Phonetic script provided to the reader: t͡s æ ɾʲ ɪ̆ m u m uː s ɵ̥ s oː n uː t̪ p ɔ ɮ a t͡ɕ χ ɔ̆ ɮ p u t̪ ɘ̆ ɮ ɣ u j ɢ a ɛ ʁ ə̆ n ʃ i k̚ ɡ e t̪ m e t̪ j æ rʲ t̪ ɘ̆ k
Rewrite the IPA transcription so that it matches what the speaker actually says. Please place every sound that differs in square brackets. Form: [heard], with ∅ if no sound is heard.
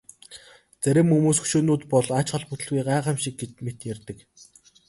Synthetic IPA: t͡s æ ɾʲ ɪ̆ m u m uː s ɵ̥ [ʃ] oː n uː t̪ p ɔ ɮ a t͡ɕ χ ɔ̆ ɮ p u t̪ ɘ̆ ɮ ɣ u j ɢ a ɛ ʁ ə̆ [m] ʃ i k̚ ɡ e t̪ m e t̪ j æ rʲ t̪ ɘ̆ k